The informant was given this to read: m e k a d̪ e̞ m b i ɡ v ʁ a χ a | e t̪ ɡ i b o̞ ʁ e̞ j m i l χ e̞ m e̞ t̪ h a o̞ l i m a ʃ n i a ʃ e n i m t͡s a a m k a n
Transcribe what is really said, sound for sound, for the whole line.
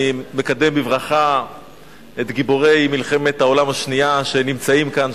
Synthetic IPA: m e k a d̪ e̞ m b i v ʁ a χ a | e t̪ ɡ i b o̞ ʁ e̞ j m i l χ e̞ m e̞ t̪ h a o̞ l a m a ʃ n i a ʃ e n i m t͡s a i m k a n